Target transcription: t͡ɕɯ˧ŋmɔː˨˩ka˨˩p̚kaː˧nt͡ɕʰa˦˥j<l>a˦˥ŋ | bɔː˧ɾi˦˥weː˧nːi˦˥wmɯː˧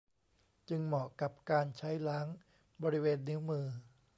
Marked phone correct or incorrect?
correct